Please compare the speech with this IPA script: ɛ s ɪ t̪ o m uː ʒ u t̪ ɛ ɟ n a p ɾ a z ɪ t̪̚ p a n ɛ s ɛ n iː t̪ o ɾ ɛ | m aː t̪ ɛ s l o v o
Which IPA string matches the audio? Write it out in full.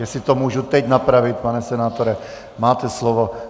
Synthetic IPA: ɛ s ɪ t̪ o m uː ʒ u t̪ ɛ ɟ n a p ɾ a v ɪ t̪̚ p a n ɛ s ɛ n aː t̪ o ɾ ɛ | m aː t̪ ɛ s l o v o